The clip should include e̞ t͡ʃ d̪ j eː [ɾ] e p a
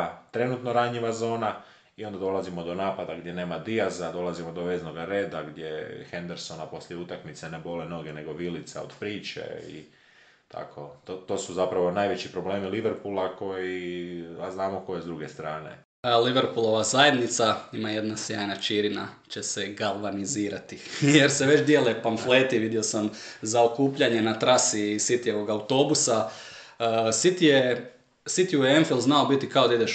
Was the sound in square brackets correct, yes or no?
no